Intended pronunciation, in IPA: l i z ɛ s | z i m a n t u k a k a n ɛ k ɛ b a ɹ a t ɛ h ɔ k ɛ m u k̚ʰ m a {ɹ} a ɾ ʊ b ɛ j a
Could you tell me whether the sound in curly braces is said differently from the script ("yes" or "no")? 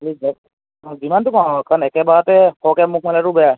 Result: yes